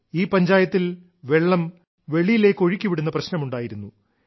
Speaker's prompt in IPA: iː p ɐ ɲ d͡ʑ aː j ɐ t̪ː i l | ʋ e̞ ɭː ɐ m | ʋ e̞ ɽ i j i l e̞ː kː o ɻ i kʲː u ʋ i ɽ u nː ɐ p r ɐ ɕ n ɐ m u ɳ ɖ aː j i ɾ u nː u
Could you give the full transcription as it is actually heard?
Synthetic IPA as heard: iː p ɐ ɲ d͡ʑ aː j ɐ t̪ː i l | ʋ e̞ ɭː ɐ m | ʋ e̞ ɭ i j i l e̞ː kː o ɻ i kʲː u ʋ i ɽ u nː ɐ p r ɐ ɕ n ɐ m u ɳ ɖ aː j i ɾ u nː u